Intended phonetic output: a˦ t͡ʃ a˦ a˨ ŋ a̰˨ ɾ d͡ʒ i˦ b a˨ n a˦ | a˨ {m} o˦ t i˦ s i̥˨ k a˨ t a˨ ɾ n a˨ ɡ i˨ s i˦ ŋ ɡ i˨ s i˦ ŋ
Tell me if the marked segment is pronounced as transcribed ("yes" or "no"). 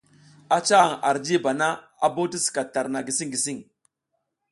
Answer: no